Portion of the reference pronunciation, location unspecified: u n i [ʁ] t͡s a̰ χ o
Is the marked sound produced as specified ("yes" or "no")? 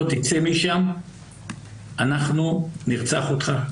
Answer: yes